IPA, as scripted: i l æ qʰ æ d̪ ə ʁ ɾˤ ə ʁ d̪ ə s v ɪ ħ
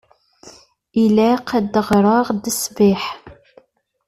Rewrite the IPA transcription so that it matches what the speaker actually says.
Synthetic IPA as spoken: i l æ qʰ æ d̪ ə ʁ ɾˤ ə ʁ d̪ ə s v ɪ ħ

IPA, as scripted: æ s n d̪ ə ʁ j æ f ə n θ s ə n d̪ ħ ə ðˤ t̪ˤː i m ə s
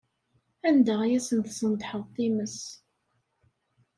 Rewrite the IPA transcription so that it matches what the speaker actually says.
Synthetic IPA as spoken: æ n d̪ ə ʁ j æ s ə n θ s ə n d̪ ħ ə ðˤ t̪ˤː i m ə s

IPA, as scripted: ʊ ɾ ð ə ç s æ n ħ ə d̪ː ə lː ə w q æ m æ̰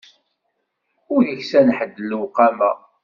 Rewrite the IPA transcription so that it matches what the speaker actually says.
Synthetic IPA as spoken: ʊ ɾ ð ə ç s æ n ħ ə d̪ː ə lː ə w q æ m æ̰

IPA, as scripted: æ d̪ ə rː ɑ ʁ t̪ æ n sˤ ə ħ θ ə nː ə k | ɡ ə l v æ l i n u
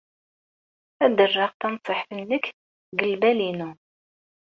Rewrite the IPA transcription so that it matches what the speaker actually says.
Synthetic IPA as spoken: æ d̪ ə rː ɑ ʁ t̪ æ n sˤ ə ħ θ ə nː ə k | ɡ ə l b æ l i n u

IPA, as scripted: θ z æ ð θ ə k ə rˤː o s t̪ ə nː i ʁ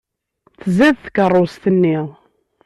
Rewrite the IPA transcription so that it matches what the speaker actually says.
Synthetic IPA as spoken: θ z æ ð θ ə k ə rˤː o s t̪ ə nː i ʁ

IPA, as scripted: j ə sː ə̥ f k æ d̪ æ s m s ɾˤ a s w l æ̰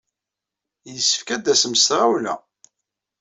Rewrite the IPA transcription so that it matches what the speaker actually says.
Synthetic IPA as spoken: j ə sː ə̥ f k æ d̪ æ s m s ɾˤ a w l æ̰

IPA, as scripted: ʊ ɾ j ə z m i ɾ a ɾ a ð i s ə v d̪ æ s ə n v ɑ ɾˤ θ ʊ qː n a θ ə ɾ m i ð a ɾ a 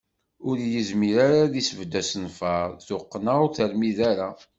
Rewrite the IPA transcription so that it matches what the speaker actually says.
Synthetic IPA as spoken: ʊ ɾ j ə z m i ɾ a ɾ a ð i s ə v d̪ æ s ə n f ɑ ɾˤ θ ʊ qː n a θ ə ɾ m i ð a ɾ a

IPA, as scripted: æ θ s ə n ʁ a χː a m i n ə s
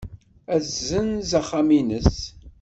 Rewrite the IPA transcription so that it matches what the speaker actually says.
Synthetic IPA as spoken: æ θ z ə n z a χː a m i n ə s

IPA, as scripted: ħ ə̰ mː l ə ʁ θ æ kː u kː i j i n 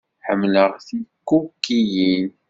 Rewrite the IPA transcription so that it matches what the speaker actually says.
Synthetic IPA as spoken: ħ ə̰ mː l ə ʁ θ i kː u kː i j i n

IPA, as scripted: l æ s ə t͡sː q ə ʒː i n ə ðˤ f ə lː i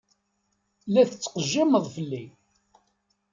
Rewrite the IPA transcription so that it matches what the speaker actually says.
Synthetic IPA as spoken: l æ θ ə t͡sː q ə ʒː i m ə ðˤ f ə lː i

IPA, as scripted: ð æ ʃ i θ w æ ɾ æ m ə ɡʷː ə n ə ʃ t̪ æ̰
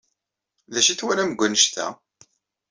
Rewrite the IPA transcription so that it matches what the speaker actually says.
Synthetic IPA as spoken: ð æ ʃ i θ w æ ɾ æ m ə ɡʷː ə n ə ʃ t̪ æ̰

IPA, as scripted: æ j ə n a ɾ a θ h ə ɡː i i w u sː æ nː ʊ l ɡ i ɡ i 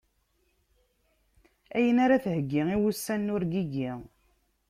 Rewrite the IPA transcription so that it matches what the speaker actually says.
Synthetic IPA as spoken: æ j ə n a ɾ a θ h ə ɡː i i w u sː æ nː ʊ ɾ ɡ i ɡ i

